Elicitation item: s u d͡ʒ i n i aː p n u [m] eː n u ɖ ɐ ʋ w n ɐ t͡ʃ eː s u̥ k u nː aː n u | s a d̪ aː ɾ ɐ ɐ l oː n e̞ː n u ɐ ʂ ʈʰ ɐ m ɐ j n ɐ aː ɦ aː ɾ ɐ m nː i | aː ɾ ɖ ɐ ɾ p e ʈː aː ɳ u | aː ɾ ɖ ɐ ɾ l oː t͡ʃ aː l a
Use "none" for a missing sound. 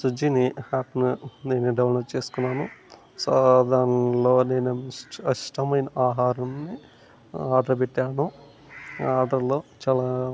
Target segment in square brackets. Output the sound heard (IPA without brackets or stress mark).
n